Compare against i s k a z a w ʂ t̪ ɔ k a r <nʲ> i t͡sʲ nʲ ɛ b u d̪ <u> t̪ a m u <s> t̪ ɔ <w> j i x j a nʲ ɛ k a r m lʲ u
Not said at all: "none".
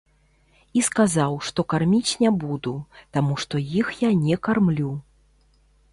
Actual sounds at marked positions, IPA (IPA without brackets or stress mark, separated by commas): mʲ, u, ʂ, none